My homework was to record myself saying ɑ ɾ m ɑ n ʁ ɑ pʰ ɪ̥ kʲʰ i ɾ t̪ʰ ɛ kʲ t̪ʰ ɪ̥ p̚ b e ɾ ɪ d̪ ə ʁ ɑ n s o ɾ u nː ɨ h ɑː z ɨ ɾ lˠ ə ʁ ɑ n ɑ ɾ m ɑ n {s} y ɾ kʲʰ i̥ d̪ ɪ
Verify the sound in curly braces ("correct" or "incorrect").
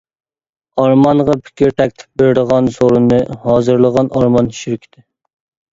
incorrect